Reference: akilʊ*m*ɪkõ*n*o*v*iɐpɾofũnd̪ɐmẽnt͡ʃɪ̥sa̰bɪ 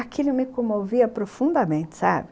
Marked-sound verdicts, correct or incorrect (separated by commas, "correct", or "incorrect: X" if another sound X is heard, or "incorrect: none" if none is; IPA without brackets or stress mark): correct, incorrect: m, correct